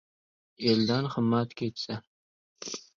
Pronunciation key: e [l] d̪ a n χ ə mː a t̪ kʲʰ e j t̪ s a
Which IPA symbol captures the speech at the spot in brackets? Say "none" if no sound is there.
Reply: l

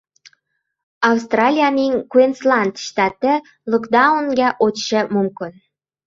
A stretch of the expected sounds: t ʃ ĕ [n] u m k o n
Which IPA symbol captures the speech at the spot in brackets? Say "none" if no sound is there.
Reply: m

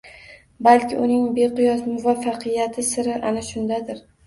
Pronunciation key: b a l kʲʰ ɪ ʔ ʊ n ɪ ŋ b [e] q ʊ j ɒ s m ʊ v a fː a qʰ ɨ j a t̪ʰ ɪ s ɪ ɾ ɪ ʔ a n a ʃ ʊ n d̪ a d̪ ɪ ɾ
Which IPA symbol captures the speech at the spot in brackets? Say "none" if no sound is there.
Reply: e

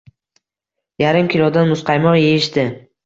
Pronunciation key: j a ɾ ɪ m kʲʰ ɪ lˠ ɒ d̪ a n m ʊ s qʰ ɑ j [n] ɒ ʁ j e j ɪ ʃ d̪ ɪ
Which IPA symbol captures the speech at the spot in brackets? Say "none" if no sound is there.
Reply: m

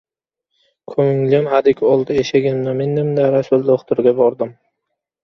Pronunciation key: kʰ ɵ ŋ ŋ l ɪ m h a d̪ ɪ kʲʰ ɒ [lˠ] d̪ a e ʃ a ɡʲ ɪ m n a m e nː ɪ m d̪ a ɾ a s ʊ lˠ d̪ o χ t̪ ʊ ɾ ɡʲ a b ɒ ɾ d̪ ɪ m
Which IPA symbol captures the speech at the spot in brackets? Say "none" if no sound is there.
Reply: lˠ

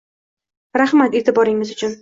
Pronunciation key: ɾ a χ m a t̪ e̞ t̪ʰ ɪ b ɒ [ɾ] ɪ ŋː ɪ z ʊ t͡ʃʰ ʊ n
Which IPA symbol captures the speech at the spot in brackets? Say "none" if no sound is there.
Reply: ɾ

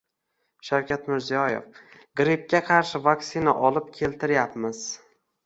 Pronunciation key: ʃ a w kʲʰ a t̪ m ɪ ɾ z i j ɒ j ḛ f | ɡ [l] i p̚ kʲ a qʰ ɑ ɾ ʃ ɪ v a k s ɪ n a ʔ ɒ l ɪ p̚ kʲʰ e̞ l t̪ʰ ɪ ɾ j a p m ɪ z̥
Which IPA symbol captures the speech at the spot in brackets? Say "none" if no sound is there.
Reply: ɾ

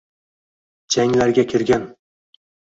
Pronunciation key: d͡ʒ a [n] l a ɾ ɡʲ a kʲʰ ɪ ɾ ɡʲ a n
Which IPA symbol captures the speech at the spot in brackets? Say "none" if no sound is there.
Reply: ŋ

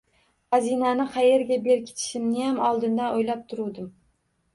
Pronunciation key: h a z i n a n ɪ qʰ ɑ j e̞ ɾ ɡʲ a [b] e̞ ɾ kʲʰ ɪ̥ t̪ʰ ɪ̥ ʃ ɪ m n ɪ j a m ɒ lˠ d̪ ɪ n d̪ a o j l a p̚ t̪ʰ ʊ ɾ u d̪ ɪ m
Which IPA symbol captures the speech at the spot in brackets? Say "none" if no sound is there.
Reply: b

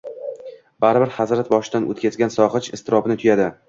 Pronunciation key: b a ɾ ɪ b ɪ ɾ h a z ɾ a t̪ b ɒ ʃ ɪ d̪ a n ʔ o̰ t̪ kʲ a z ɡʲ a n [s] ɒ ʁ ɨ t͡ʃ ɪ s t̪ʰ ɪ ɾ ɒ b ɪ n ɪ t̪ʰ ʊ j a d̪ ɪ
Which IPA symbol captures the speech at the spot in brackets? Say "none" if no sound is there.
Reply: s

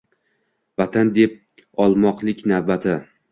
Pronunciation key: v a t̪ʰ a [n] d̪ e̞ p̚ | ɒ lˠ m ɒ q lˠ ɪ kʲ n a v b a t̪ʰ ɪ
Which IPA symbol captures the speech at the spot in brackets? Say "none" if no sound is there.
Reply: n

